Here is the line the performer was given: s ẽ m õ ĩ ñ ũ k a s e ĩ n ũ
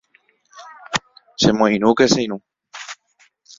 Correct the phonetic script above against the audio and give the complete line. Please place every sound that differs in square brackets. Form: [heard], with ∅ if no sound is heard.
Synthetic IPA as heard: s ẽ m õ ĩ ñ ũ k [e] s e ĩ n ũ